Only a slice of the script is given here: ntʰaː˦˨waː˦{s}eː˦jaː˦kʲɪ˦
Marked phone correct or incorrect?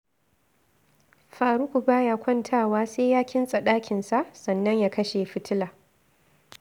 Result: correct